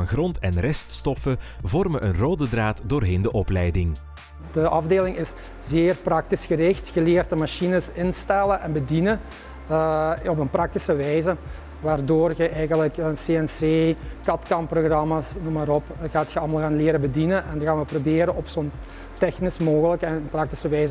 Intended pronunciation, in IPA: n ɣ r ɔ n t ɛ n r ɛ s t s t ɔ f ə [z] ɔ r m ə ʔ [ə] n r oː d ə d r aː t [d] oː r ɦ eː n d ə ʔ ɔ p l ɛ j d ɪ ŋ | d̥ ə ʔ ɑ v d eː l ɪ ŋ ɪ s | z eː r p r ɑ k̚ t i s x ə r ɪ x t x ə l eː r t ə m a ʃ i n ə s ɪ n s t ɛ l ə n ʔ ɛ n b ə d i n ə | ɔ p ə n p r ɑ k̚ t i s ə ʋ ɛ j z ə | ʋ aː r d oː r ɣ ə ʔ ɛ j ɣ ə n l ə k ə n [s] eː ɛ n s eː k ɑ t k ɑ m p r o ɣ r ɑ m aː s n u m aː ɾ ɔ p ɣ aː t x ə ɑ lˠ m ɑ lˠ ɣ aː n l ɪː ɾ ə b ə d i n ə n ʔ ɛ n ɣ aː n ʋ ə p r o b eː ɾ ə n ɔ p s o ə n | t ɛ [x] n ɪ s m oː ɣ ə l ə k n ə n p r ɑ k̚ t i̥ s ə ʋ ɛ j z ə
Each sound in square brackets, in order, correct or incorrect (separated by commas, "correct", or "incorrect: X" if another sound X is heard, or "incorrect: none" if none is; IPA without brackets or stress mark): incorrect: v, correct, correct, correct, correct